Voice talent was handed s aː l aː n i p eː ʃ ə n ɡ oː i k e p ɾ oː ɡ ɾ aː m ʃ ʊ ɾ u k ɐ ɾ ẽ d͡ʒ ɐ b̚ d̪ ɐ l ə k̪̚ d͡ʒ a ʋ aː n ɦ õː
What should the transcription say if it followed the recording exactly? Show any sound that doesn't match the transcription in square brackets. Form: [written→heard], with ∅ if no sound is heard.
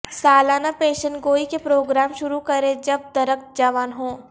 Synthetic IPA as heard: s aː l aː n [i→a] p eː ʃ ə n ɡ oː i k e p ɾ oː ɡ ɾ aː m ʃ ʊ ɾ u k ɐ ɾ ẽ d͡ʒ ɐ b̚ d̪ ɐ [l→ɾ] ə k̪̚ d͡ʒ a ʋ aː n ɦ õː